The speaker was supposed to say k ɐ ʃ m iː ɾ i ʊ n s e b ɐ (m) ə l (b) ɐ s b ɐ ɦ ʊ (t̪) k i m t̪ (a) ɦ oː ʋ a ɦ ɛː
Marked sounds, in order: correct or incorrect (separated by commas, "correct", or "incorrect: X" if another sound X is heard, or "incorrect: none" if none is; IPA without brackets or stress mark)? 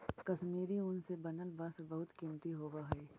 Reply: incorrect: n, correct, correct, incorrect: i